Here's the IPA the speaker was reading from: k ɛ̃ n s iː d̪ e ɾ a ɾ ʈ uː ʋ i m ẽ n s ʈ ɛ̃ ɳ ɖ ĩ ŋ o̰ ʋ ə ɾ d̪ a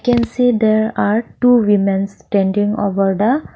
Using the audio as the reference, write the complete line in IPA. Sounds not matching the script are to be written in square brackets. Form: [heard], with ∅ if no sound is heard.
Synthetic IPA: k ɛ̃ n s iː d̪ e ɾ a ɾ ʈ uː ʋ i m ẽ n s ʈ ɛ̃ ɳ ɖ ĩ ŋ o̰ ʋ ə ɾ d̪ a

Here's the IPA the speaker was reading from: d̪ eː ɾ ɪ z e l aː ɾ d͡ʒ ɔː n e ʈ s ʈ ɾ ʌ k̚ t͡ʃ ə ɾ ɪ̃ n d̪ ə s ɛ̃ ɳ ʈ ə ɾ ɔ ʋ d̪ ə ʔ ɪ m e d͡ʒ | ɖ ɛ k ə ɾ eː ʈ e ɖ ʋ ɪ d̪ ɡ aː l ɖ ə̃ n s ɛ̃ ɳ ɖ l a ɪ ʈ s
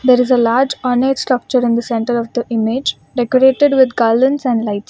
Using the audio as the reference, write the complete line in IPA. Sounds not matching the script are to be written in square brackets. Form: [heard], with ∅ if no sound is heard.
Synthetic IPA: d̪ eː ɾ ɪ z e l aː ɾ d͡ʒ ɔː n e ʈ s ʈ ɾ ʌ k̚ t͡ʃ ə ɾ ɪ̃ n d̪ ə s ɛ̃ ɳ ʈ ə ɾ ɔ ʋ d̪ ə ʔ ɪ m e d͡ʒ | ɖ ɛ k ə ɾ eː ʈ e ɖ ʋ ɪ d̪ ɡ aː l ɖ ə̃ n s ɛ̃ ɳ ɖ l a ɪ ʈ s

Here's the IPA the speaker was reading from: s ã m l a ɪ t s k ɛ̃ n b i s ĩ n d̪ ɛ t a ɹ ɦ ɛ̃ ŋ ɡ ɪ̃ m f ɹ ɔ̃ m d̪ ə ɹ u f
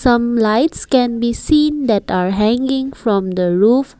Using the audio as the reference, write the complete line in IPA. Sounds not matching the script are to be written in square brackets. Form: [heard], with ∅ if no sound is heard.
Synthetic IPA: s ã m l a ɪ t s k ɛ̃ n b i s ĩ n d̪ ɛ t a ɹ ɦ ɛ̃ ŋ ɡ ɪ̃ [ŋ] f ɹ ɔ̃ m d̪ ə ɹ u f

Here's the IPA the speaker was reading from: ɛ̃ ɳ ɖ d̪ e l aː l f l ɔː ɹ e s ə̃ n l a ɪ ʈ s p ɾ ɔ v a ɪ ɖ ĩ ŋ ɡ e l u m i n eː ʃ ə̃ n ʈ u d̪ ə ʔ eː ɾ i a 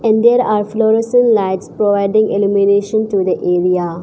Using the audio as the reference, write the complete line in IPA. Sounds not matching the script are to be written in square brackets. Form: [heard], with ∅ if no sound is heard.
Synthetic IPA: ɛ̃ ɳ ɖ d̪ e [ɾ] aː [ɾ] f l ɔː [ɾ] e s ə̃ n l a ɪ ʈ s p ɾ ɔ [ʋ] a ɪ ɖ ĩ ŋ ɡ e l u m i n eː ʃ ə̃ n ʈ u d̪ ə ʔ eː ɾ i a

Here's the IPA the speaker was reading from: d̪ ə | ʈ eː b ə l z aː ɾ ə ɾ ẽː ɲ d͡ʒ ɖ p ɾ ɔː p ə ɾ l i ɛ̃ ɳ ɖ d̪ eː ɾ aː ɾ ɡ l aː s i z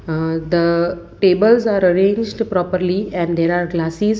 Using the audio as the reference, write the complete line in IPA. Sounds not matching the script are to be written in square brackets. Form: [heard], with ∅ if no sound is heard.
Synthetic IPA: d̪ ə | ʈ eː b ə l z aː ɾ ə ɾ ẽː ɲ d͡ʒ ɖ p ɾ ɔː p ə ɾ l i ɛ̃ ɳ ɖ d̪ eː ɾ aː ɾ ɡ l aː s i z

